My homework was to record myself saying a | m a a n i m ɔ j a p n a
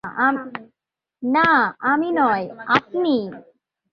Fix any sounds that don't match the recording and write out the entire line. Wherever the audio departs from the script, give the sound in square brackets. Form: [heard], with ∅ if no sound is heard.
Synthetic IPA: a | [n] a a [m] i [n] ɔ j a p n [i]